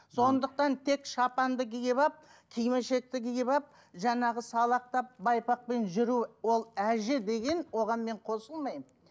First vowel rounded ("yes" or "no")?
yes